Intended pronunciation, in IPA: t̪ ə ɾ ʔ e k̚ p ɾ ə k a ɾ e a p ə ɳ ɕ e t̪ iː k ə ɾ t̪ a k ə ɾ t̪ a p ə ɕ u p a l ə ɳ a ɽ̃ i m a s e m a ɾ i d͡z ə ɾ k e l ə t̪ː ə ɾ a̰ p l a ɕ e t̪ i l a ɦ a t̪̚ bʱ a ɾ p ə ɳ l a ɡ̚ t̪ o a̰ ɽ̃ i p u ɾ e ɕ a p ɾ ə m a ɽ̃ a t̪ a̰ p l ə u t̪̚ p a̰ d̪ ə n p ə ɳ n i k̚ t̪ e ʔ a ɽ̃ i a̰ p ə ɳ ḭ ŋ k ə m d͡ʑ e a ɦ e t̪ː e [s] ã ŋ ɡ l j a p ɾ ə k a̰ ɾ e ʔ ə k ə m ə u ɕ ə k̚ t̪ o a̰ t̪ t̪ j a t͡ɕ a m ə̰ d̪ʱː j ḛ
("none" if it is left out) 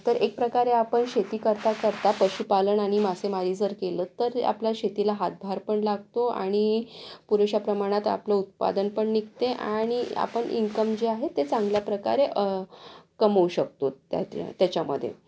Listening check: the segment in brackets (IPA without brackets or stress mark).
t͡s